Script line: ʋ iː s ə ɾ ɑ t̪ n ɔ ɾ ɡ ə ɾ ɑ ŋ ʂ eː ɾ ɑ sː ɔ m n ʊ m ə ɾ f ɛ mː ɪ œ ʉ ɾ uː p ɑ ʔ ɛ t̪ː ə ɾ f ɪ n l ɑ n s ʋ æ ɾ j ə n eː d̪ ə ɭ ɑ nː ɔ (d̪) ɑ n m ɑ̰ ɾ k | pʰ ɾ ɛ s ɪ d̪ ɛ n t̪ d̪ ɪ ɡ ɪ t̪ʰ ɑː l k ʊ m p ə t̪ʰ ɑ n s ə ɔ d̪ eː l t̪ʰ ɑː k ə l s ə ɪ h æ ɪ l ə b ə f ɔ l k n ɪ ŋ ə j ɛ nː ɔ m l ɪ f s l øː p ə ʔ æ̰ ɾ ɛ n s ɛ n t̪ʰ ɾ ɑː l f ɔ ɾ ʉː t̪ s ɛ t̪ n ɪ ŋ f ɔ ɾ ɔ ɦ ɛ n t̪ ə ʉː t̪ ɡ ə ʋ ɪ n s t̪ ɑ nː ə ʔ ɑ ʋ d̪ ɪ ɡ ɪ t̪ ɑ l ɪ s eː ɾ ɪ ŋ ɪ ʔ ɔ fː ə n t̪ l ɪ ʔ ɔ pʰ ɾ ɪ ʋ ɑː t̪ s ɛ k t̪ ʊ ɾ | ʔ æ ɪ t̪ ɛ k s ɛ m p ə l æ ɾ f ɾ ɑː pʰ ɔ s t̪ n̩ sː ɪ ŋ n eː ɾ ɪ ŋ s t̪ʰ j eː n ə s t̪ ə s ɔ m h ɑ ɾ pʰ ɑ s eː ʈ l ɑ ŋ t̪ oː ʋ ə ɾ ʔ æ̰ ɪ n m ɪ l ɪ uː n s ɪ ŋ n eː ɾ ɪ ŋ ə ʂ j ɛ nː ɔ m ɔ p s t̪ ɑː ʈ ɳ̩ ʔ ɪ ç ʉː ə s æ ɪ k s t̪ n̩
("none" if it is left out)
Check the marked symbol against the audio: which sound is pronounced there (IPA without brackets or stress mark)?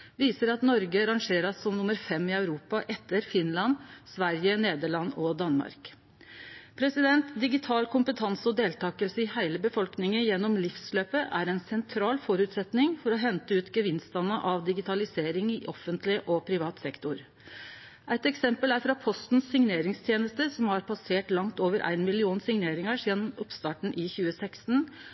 d̪